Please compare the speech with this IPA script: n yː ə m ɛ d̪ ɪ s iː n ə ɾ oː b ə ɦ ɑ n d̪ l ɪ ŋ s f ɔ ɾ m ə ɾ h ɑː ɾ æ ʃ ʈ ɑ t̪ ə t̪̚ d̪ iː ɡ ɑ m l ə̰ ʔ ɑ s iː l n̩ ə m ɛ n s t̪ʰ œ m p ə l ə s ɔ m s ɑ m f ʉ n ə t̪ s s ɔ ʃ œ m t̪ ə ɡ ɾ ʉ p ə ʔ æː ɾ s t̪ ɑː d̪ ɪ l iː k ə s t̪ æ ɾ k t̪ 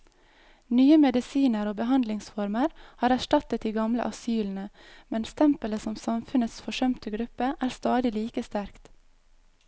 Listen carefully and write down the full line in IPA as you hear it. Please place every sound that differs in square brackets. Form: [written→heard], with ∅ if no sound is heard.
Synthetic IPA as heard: n yː ə m ɛ d̪ ɪ s iː n ə ɾ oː b ə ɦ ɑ n d̪ l ɪ ŋ s f ɔ ɾ m ə ɾ h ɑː ɾ æ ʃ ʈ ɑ t̪ ə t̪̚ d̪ iː ɡ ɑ m l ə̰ ʔ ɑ s [iː→yː] l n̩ ə m ɛ n s t̪ʰ [œ→ɛ] m p ə l ə s ɔ m s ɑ m f ʉ n ə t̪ s [s→f] ɔ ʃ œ m t̪ ə ɡ ɾ ʉ p ə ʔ æː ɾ s t̪ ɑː d̪ ɪ l iː k ə s t̪ æ ɾ k t̪